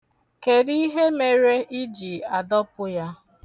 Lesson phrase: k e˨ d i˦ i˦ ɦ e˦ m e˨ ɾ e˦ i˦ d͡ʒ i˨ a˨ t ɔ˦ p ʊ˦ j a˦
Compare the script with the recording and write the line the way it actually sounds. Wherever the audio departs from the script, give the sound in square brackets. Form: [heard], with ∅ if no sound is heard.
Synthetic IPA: k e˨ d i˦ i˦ ɦ e˦ m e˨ ɾ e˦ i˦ d͡ʒ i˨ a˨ [d] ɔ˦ p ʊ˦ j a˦